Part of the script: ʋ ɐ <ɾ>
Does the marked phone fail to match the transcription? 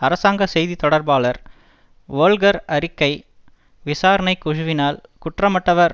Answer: no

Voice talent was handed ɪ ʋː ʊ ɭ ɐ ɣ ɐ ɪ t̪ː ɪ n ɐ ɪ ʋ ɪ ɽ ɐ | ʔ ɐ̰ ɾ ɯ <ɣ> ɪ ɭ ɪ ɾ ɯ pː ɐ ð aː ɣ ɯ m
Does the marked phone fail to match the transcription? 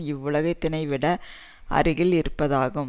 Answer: no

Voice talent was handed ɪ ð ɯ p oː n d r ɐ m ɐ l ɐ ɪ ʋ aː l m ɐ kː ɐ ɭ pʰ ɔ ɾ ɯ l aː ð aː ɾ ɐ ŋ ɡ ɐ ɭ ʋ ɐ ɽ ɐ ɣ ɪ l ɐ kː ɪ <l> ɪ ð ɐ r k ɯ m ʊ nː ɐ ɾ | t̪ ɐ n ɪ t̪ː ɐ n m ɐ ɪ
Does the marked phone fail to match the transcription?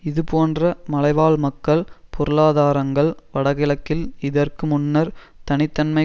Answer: no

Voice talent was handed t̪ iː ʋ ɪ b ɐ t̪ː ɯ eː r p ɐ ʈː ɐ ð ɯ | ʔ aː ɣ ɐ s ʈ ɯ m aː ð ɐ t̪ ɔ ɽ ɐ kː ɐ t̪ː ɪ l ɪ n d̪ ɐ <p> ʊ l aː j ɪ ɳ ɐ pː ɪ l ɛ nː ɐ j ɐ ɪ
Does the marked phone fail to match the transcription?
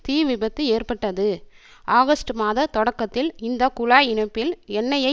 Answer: yes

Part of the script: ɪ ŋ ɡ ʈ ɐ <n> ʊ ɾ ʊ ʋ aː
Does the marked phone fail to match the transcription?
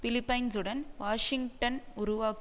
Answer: no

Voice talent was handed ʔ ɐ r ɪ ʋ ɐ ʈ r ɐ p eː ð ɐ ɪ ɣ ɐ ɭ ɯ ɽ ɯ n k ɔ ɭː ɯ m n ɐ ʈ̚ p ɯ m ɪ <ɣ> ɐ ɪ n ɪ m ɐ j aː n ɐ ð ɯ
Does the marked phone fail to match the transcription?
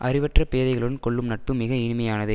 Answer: no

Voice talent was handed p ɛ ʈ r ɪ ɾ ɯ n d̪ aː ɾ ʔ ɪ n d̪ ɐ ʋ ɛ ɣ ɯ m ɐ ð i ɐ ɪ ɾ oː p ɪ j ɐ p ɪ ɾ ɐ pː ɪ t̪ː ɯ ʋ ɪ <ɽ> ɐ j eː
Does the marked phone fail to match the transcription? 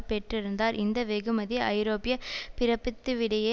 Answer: no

